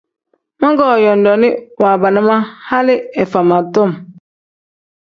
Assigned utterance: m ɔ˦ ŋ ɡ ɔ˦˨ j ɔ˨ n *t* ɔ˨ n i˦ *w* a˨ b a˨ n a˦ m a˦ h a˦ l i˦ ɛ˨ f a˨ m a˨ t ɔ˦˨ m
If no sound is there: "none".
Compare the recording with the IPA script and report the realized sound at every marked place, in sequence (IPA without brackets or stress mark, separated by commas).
d, w